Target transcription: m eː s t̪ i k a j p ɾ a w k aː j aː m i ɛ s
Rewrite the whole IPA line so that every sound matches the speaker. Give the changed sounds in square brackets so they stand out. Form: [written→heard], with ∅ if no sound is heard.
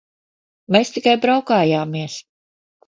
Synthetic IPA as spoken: m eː s t̪ i k a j [p→b] ɾ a w k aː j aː m i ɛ s